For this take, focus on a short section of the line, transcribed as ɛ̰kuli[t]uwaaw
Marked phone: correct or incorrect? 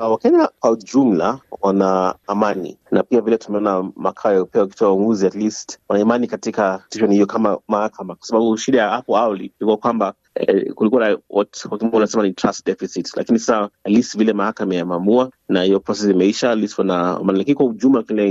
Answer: incorrect